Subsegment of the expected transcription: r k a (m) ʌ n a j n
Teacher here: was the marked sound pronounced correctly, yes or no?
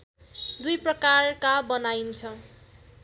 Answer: no